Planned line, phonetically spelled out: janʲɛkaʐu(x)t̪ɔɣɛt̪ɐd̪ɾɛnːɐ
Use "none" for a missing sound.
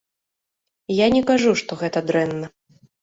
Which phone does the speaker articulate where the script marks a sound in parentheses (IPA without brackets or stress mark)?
ʂ